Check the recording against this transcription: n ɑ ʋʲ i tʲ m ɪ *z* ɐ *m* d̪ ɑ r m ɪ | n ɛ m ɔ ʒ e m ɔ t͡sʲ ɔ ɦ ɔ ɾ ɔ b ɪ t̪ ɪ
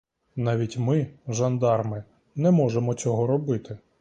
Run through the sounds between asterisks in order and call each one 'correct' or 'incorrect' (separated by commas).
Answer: incorrect, incorrect